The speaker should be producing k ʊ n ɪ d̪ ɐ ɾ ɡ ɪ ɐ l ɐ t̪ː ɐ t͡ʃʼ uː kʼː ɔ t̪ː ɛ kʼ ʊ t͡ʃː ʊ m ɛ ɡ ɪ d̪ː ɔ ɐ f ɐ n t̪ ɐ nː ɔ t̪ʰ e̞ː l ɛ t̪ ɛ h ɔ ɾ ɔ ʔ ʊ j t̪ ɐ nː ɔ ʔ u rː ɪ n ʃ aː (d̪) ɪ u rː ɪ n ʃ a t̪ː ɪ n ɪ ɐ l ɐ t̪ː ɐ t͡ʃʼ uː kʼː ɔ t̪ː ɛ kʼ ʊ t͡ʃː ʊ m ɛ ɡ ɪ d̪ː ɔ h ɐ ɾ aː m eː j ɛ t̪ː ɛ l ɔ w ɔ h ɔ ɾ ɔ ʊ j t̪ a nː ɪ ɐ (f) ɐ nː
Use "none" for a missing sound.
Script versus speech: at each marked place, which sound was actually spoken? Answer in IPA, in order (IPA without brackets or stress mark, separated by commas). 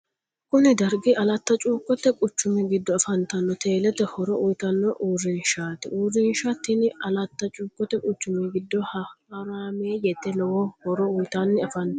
t̪, f